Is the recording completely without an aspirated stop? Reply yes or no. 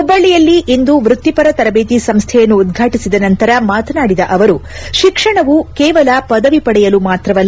no